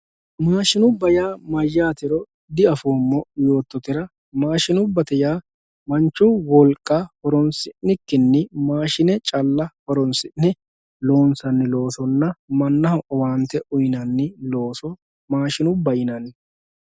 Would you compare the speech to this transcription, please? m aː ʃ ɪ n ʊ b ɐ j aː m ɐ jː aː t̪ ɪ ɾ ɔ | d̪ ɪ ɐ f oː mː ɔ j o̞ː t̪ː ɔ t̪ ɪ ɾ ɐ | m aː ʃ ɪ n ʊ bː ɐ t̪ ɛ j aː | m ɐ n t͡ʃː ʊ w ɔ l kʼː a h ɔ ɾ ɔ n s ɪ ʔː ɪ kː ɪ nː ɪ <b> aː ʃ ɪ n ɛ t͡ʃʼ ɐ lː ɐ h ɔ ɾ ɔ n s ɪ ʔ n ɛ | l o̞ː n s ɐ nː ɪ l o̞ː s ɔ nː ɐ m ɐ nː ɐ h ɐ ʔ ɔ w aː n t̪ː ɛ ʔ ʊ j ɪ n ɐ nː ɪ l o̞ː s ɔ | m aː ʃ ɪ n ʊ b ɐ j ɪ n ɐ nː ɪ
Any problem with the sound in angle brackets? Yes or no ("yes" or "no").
yes